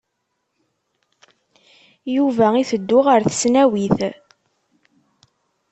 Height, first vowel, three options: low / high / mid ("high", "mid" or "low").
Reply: high